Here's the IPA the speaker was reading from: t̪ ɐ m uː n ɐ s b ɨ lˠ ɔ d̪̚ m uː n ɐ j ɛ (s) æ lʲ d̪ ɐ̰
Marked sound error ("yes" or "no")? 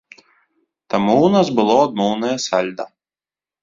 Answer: no